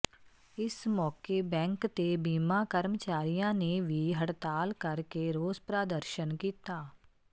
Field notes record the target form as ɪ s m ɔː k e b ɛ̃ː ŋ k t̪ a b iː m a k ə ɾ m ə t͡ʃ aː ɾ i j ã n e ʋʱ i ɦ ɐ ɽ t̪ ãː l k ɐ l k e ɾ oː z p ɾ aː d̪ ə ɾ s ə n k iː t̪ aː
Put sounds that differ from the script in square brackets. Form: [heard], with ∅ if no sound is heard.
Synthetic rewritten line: ɪ s m ɔː k e b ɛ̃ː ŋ k t̪ [e] b iː m a k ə ɾ m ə t͡ʃ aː ɾ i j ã n e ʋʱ i ɦ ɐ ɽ t̪ [aː] l k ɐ [ɾ] k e ɾ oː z p ɾ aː d̪ ə ɾ [ʃ] ə n k iː t̪ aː